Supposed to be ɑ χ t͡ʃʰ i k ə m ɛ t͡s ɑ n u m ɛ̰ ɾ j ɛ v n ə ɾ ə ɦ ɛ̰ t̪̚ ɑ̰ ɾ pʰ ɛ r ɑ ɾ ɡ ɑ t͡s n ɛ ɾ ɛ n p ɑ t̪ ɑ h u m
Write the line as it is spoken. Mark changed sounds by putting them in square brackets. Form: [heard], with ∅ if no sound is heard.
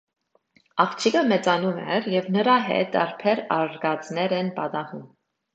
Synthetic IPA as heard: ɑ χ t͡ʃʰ i k ə m ɛ t͡s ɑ n u m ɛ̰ ɾ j ɛ v n ə ɾ [ɑ] ɦ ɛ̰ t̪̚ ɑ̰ ɾ pʰ ɛ [ɾ] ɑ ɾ ɡ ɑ t͡s n ɛ ɾ ɛ n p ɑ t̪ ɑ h u m